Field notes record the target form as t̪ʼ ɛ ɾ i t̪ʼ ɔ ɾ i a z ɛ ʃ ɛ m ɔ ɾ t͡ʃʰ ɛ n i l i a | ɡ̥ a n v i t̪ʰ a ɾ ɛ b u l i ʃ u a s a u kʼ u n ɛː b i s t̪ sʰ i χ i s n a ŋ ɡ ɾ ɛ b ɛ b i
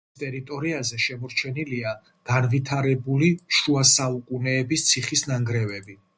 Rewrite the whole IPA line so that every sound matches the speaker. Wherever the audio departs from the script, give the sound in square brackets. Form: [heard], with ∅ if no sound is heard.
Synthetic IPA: t̪ʼ ɛ ɾ i t̪ʼ ɔ ɾ i a z ɛ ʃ ɛ m ɔ ɾ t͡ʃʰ ɛ n i l i a | ɡ̥ a n v i t̪ʰ a ɾ ɛ b u l i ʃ u a s a u kʼ u n ɛː b i s t̪ sʰ i χ i s n a ŋ ɡ ɾ ɛ [v] ɛ b i